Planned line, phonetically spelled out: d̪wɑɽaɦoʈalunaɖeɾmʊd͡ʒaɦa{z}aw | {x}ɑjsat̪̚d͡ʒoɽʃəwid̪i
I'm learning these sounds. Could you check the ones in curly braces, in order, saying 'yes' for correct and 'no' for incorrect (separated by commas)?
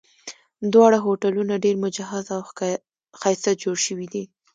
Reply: yes, yes